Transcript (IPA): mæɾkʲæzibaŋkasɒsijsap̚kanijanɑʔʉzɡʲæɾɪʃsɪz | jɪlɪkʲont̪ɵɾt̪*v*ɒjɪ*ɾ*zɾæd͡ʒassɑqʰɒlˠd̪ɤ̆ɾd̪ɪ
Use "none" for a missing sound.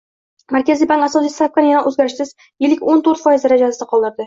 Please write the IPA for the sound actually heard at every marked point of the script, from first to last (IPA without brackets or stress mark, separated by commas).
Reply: f, none